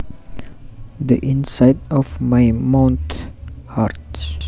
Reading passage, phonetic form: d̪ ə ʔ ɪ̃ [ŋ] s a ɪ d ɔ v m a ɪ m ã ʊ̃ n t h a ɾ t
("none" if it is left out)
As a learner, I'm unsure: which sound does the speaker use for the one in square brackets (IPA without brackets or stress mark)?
n